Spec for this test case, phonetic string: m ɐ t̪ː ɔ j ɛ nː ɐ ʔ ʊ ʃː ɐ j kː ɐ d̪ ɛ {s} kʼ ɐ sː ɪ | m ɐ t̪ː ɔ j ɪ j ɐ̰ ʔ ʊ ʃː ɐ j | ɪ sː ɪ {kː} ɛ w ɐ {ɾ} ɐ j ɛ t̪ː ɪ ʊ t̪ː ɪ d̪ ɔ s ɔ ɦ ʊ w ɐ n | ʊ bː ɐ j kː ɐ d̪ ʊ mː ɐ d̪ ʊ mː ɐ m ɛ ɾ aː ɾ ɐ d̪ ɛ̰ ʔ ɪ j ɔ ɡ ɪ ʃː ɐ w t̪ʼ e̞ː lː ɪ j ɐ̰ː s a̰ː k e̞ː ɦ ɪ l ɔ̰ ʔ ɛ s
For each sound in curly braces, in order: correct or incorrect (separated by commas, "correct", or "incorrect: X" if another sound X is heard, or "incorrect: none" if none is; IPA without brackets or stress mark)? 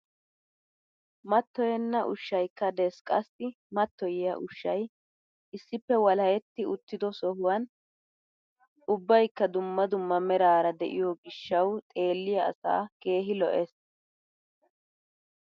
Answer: correct, incorrect: pː, incorrect: l